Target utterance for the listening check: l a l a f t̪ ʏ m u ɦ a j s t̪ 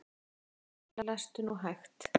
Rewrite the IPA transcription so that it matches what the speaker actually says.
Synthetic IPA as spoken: l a l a s t̪ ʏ n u ɦ a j x t̪

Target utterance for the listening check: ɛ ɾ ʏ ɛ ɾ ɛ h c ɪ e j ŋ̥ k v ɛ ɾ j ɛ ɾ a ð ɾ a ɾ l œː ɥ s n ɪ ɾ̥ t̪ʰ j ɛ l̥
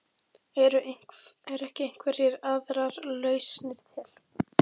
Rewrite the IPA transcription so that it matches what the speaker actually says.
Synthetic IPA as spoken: ɛ ɾ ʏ ɛ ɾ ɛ h c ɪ e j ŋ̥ k v ɛ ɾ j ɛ ɾ a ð ɾ a ɾ l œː ɥ s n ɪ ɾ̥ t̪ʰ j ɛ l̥

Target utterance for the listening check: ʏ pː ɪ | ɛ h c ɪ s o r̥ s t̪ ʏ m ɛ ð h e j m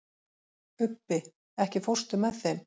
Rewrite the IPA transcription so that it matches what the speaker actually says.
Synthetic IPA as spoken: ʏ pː ɪ | ɛ h c ɪ f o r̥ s t̪ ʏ m ɛ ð θ e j m

